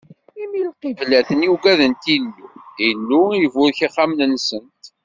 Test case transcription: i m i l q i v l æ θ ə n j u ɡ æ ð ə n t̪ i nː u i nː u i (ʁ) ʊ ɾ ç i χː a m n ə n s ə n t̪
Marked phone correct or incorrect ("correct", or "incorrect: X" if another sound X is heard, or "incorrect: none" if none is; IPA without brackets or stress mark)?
incorrect: v